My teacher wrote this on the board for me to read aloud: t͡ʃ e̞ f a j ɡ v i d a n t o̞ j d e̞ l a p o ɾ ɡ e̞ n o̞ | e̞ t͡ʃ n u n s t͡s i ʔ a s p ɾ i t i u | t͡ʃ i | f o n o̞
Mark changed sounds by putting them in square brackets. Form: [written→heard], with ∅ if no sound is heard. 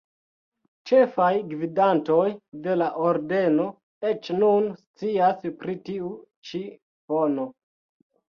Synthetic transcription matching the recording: t͡ʃ e̞ f a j ɡ v i d a n t o̞ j d e̞ l a [p→ʔ] o ɾ [ɡ→d] e̞ n o̞ | e̞ t͡ʃ n u n s t͡s i [ʔ→∅] a s p ɾ i t i u | t͡ʃ i | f o n o̞